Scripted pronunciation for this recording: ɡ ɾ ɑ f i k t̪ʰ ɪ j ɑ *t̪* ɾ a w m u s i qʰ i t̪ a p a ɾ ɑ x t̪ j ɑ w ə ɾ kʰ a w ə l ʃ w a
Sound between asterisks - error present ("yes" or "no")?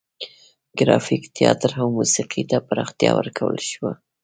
no